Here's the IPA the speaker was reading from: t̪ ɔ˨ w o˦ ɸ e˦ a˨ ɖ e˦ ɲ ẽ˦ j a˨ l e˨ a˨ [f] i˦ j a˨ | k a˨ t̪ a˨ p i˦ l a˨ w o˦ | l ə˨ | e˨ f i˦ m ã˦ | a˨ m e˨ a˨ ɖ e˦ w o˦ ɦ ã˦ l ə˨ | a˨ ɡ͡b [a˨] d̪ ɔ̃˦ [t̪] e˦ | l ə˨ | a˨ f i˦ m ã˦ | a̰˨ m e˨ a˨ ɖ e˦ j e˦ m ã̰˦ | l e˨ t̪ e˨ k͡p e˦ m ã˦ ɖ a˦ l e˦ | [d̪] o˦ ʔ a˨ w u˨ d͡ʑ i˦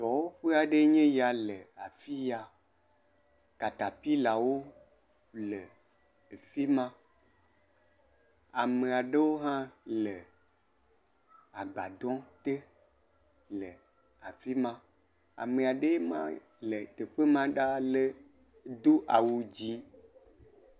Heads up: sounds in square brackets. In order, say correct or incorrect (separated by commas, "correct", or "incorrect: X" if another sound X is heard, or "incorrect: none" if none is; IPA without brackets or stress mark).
correct, correct, correct, correct